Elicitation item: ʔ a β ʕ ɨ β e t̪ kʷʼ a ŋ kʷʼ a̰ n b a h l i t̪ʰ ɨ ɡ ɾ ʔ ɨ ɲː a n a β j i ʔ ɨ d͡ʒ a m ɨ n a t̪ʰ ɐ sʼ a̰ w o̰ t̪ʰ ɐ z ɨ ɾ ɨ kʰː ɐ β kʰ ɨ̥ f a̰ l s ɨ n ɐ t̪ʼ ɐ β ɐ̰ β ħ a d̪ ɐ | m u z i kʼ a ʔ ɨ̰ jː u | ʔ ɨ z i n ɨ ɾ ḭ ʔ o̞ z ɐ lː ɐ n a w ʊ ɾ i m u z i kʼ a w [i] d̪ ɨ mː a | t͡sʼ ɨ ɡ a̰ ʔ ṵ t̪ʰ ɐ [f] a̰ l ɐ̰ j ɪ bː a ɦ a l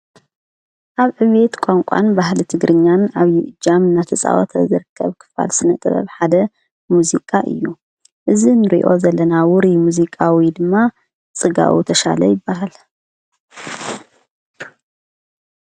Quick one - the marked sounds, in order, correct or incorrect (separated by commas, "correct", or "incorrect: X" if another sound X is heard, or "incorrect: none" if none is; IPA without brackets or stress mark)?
correct, incorrect: ʃ